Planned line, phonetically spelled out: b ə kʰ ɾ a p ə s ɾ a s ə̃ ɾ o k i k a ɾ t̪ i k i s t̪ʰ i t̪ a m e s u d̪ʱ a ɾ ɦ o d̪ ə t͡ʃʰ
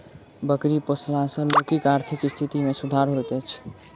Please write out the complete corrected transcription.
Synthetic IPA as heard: b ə k ɾ i p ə s l a s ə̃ l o k i k a ɾ t̪ʰ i k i s t̪ʰ i t̪ i m e s u d̪ʱ a ɾ ɦ o t̪ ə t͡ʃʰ